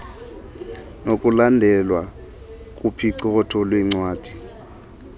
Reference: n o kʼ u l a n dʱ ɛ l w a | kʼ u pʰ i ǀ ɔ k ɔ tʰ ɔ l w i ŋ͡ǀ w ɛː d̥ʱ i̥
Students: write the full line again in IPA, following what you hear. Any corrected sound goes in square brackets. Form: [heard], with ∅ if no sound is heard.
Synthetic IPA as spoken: n o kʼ u l a n dʱ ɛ l w a | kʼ u pʰ i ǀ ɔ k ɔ tʰ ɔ l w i ŋ͡ǀ w [aː] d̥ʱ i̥